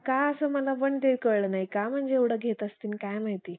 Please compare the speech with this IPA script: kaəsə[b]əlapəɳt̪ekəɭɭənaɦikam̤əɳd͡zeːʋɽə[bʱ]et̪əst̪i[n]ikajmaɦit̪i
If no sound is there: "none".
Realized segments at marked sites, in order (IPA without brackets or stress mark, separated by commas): m, ɡʱ, n